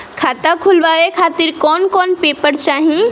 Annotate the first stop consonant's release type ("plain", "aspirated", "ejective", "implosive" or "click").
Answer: aspirated